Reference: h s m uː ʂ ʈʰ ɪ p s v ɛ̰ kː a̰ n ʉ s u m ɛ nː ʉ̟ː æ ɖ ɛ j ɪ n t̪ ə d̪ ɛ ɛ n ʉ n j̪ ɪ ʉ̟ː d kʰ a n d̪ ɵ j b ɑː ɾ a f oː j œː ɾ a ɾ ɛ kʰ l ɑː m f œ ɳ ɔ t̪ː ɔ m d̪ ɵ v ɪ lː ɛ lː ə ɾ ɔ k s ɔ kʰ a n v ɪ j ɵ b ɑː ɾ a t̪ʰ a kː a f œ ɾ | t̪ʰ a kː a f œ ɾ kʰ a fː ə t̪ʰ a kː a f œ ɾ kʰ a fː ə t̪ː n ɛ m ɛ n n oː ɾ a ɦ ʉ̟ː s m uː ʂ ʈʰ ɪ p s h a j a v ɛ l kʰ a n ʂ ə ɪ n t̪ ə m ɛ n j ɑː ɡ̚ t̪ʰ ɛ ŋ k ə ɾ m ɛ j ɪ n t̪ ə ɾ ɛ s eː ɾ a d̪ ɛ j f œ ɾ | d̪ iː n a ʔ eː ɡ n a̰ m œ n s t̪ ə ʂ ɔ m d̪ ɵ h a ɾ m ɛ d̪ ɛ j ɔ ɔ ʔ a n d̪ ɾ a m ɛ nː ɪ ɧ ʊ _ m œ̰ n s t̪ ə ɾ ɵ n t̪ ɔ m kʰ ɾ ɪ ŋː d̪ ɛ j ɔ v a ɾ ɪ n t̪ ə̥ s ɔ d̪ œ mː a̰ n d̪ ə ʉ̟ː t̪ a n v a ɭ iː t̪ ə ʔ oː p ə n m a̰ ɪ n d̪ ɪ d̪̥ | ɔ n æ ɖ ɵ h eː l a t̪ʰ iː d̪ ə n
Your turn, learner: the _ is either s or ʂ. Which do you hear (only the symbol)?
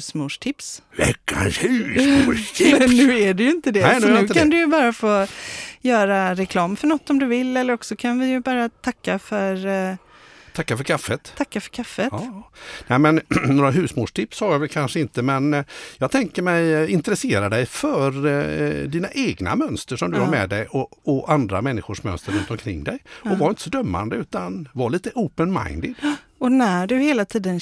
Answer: ʂ